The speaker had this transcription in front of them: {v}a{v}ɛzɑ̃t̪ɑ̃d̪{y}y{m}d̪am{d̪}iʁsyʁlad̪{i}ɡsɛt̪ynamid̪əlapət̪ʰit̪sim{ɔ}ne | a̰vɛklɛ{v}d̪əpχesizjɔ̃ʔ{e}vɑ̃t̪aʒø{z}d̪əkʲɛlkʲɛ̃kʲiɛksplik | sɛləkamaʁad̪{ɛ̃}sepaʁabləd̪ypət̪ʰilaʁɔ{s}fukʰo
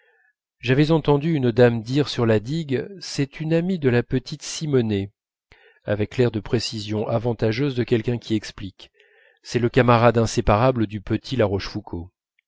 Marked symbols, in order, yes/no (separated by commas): no, yes, yes, no, yes, yes, yes, no, no, yes, yes, no